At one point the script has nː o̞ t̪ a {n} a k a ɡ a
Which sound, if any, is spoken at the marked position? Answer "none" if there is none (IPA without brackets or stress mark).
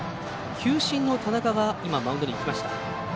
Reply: n